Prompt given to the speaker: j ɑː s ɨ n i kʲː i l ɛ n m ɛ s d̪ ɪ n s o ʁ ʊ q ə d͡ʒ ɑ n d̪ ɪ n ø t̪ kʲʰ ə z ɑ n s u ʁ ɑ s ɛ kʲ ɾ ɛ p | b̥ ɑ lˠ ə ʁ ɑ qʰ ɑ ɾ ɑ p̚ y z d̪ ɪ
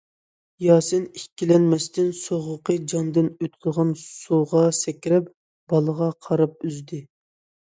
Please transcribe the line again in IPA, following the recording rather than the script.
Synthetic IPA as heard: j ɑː s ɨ n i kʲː i l ɛ n m ɛ s t̪ ɪ n s o ʁ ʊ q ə d͡ʒ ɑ n d̪ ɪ n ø t̪ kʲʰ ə ʁ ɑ n s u ʁ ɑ s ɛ kʲ ɾ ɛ p | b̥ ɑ lˠ ə ʁ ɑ qʰ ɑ ɾ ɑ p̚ y z d̪ ɪ

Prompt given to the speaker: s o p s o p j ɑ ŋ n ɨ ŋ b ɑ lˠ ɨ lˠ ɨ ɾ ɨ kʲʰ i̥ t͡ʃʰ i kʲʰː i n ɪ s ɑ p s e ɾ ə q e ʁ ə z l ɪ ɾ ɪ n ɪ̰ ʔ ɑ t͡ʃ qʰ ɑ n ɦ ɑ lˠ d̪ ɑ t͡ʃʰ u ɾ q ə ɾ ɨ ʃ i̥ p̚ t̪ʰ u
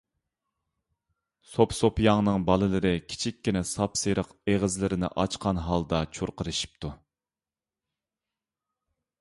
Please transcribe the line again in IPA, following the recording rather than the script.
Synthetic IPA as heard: s o p s o p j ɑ ŋ n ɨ ŋ b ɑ lˠ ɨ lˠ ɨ ɾ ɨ kʲʰ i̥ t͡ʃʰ i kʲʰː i n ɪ s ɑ p s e ɾ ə q e ʁ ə z l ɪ ɾ ɪ n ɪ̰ ʔ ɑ t͡ʃ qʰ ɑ n ɦ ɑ lˠ d̪ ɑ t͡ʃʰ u ɾ q ə ɾ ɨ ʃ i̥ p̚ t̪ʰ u

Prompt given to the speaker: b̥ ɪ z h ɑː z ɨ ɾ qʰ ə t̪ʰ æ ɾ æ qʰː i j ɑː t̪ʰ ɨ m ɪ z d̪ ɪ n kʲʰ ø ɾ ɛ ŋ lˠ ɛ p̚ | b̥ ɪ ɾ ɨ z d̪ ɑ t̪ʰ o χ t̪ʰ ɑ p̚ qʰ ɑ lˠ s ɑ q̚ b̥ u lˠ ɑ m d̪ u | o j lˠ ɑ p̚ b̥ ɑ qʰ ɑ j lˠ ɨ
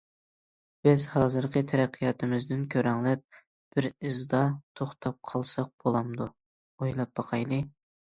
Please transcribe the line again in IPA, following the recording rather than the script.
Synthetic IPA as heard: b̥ ɪ z h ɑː z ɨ ɾ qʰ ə t̪ʰ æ ɾ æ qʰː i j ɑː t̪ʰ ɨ m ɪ z d̪ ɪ n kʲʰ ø ɾ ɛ ŋ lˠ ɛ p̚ | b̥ ɪ ɾ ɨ z d̪ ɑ t̪ʰ o χ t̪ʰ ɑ p̚ qʰ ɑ lˠ s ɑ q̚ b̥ o lˠ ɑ m d̪ u | o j lˠ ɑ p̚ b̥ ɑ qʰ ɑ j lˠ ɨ

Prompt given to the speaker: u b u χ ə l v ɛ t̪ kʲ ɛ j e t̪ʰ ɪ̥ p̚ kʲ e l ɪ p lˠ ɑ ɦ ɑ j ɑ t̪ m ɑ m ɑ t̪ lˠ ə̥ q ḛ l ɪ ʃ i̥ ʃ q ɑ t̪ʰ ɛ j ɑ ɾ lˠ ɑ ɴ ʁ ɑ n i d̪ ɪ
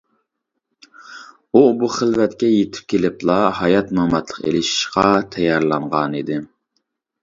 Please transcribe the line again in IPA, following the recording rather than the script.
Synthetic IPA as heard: u b u χ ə l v ɛ t̪ kʲ ɛ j e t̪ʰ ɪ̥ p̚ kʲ e l ɪ p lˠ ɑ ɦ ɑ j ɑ t̪ m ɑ m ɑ t̪ lˠ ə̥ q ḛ l ɪ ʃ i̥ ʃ q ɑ t̪ʰ ɛ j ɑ ɾ lˠ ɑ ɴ ʁ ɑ n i d̪ ɪ

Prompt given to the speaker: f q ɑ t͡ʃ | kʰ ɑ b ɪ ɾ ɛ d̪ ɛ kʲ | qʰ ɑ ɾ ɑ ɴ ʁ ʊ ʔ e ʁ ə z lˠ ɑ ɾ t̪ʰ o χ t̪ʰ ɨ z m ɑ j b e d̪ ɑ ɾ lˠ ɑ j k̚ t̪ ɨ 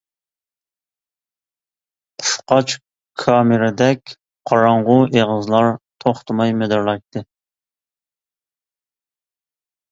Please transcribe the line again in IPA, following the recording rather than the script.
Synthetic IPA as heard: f q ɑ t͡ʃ | kʰ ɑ m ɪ ɾ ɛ d̪ ɛ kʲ | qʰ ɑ ɾ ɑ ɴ ʁ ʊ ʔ e ʁ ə z lˠ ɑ ɾ t̪ʰ o χ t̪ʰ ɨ m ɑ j m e d̪ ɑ ɾ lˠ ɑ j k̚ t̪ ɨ

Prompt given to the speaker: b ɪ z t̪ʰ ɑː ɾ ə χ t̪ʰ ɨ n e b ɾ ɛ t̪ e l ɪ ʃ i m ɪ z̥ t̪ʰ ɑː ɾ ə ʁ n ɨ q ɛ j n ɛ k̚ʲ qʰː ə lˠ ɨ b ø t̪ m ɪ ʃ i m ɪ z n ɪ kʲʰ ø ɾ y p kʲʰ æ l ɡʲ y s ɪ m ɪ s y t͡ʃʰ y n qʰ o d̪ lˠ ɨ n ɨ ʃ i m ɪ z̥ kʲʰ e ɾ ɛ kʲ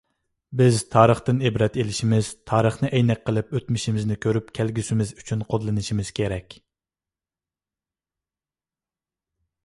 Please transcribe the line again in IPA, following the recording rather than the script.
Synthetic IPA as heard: b ɪ z t̪ʰ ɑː ɾ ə χ t̪ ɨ n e b ɾ ɛ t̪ e l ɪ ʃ i m ɪ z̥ t̪ʰ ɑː ɾ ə χ n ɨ ʔ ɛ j n ɛ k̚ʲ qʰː ə lˠ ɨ p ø t̪ m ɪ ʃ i m ɪ z n ɪ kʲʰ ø ɾ y p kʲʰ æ l ɡʲ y s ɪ m ɪ z y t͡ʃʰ y n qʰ o d̪ lˠ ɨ n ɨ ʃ i m ɪ z̥ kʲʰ e ɾ ɛ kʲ

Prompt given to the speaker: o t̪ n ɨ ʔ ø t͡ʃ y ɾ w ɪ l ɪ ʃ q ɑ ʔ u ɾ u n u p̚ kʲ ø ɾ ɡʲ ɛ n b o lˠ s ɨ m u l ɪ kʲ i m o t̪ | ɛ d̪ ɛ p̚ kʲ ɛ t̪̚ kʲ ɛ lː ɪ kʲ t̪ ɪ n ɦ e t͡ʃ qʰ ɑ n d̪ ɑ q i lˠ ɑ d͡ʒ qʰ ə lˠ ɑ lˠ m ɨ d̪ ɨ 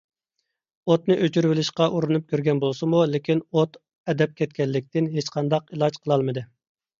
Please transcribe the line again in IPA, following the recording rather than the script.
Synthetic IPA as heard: o t̪ n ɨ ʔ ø t͡ʃ y ɾ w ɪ l ɪ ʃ q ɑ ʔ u ɾ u n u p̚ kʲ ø ɾ ɡʲ ɛ n b o lˠ s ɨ m u l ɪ kʲ i n o t̪ | ɛ d̪ ɛ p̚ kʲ ɛ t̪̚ kʲ ɛ lː ɪ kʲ t̪ ɪ n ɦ e t͡ʃ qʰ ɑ n d̪ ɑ q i lˠ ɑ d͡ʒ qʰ ə lˠ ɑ lˠ m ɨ d̪ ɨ

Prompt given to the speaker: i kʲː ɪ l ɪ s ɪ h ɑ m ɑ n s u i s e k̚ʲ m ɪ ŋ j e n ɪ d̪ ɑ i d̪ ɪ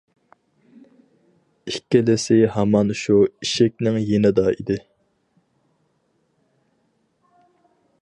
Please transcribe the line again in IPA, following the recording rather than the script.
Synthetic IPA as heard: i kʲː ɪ l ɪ s ɪ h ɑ m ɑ n ʃ u i ʃ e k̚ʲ n ɪ ŋ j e n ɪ d̪ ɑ i d̪ ɪ

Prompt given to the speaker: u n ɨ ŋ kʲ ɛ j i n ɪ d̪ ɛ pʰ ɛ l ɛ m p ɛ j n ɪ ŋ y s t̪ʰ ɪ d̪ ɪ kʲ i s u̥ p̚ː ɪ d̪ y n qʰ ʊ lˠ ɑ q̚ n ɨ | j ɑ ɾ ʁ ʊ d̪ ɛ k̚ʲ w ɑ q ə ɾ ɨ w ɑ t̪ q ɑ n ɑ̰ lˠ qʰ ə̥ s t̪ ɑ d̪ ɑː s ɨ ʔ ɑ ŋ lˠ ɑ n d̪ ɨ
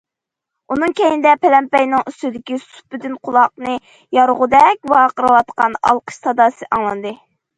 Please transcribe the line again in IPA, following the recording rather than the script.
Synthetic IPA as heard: u n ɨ ŋ kʲ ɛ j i n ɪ d̪ ɛ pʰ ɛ l ɛ m p ɛ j n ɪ ŋ y s t̪ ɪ d̪ ɪ kʲ i s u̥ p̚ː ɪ d̪ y n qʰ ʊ lˠ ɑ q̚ n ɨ | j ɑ ɾ ʁ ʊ d̪ ɛ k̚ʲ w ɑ q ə ɾ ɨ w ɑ t̪ q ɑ n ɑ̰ lˠ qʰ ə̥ ʃ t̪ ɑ d̪ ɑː s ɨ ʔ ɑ ŋ lˠ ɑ n d̪ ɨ

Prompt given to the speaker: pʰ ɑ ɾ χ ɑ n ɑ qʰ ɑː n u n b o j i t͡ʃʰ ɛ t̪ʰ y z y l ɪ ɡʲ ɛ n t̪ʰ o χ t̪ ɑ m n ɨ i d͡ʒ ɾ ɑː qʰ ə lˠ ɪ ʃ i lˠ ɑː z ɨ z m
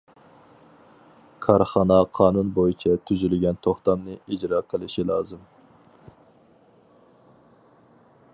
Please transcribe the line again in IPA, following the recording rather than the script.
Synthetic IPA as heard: kʰ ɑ ɾ χ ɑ n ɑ qʰ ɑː n u n b o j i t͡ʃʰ ɛ t̪ʰ y z y l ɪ ɡʲ ɛ n t̪ʰ o χ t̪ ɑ m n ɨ i d͡ʒ ɾ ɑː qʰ ə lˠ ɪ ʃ i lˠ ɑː z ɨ m

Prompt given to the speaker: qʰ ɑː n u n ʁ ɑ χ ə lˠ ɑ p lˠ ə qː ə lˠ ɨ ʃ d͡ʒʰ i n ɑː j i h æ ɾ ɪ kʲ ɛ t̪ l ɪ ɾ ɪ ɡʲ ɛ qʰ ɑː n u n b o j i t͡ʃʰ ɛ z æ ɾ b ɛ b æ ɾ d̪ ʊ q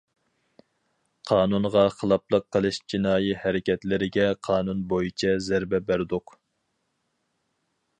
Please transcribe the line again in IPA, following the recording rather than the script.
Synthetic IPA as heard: qʰ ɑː n u n ʁ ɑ χ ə lˠ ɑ p lˠ ə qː ə lˠ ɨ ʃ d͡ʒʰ i n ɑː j i h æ ɾ ɪ kʲ ɛ t̪ l ɪ ɾ ɪ ɡʲ ɛ qʰ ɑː n u n b o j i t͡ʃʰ ɛ z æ ɾ b ɛ b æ ɾ d̪ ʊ q

